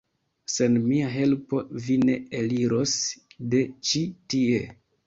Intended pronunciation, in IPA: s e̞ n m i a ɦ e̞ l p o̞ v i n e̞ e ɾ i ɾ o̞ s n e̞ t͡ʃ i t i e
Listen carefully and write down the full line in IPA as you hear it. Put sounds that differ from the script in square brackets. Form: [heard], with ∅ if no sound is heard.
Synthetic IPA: s e̞ n m i a ɦ e̞ l p o̞ v i n e̞ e [l] i ɾ o̞ s [d] e̞ t͡ʃ i t i e